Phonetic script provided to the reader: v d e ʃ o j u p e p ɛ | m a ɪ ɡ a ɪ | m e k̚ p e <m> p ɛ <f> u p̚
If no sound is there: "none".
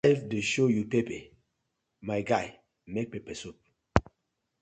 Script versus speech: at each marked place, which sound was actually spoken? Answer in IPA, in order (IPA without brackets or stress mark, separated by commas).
none, s